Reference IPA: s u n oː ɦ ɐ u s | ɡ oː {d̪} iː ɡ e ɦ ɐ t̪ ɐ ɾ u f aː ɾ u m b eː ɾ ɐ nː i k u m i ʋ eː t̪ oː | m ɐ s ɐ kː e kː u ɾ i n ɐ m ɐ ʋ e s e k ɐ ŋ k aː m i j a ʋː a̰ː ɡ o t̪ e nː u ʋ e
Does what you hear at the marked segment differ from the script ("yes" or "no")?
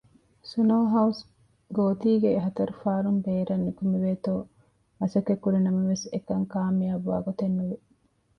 yes